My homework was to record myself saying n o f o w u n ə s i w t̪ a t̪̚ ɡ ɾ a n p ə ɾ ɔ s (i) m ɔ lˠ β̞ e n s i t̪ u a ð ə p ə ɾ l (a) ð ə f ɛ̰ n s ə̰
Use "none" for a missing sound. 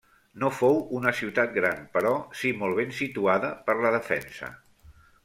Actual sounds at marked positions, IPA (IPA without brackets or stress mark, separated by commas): i, ə